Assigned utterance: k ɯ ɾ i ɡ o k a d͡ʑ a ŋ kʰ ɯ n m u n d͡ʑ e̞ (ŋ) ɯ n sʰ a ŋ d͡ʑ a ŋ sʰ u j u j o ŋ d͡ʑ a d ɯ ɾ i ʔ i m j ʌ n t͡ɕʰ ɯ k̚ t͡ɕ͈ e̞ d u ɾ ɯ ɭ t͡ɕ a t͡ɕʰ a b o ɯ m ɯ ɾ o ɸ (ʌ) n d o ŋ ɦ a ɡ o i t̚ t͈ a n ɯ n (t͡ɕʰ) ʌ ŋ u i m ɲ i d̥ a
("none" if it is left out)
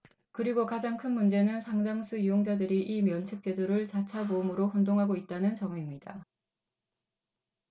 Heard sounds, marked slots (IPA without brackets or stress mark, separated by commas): n, ʌ, t͡ɕ